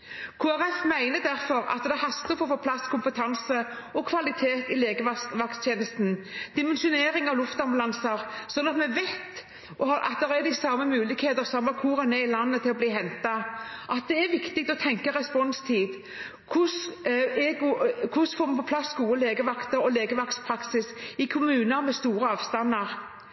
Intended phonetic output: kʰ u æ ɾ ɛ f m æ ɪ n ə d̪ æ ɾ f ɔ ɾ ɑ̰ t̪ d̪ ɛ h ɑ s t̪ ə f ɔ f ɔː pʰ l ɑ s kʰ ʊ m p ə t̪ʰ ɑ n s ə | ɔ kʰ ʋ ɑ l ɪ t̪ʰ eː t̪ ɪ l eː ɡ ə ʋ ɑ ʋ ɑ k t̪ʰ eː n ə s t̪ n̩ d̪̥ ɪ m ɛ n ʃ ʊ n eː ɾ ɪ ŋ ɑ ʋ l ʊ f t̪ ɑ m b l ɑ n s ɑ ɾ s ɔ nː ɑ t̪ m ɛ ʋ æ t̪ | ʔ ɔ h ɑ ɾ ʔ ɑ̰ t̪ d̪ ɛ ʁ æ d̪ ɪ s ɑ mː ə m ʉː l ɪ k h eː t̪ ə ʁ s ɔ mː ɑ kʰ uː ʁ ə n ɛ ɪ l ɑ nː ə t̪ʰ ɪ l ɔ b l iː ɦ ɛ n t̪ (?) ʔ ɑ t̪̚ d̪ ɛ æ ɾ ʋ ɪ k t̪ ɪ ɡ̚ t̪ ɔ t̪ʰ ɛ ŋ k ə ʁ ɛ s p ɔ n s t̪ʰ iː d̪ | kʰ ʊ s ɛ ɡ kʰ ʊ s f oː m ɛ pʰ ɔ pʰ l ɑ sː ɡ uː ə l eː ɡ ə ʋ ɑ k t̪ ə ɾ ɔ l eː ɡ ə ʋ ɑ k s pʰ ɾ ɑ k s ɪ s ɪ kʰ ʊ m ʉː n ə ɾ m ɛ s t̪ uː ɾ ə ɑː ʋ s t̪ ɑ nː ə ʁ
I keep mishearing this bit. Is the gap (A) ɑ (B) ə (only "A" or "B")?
A